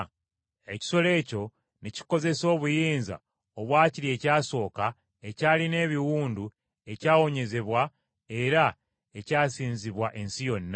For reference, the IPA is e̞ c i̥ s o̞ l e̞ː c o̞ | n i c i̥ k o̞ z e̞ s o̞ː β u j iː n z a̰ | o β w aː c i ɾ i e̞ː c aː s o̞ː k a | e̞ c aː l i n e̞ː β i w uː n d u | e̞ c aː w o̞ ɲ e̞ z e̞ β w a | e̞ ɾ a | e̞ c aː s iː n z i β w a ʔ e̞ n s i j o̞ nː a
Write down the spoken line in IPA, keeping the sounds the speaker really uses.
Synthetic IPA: e̞ c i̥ s o̞ l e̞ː c o̞ | n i c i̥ k o̞ z e̞ s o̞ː β u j iː n z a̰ | o β w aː c i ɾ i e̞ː c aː s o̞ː k a | e̞ c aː l i n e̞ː β i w uː n d u | e̞ c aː w o̞ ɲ e̞ z e̞ β w a | e̞ ɾ a | e̞ c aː s iː n z i β w a ʔ e̞ n s i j o̞ nː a